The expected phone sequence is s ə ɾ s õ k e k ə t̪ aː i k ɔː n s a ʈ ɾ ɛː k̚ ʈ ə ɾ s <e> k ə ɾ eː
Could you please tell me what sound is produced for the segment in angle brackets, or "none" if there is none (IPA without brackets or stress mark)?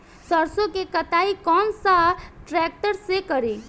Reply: e